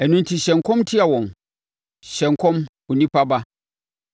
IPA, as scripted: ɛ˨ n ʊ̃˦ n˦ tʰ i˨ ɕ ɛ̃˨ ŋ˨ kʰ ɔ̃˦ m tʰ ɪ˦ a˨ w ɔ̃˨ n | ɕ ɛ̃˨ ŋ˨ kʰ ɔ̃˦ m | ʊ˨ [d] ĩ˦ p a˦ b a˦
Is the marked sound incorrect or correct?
incorrect